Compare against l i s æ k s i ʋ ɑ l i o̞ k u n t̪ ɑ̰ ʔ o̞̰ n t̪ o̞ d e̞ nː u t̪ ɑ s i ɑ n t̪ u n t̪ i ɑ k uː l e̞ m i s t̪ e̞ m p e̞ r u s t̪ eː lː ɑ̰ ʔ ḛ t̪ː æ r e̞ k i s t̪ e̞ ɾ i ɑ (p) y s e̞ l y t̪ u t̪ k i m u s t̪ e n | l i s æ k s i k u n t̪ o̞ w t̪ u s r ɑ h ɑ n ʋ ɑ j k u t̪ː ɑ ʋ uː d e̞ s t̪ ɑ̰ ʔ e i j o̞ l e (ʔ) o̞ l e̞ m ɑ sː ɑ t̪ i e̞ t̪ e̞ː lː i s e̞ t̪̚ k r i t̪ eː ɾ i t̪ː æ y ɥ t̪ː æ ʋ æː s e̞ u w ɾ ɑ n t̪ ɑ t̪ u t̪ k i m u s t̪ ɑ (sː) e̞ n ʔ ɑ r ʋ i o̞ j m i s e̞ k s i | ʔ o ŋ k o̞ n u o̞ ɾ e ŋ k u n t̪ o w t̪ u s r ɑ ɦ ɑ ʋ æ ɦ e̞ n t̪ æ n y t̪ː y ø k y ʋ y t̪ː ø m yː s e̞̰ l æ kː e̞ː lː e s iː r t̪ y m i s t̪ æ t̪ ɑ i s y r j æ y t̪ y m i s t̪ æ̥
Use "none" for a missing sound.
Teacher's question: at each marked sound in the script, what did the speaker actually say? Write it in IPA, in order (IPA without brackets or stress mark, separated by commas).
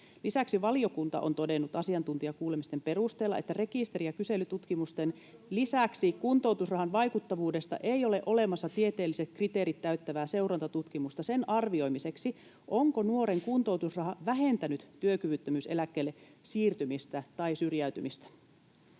k, ʔ, s